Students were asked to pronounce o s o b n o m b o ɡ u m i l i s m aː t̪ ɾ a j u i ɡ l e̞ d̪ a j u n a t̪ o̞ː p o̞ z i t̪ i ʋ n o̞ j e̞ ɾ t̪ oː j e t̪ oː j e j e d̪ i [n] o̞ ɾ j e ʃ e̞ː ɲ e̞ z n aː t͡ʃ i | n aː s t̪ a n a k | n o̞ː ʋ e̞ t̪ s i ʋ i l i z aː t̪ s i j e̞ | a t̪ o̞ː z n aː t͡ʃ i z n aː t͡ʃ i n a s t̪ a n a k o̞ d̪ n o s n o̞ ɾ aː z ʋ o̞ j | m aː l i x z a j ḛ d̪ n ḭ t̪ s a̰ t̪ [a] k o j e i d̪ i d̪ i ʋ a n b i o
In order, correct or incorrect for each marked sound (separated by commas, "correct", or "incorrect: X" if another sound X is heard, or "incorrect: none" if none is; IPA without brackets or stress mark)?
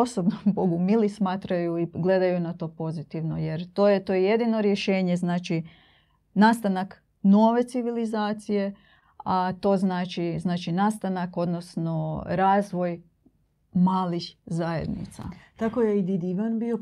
correct, correct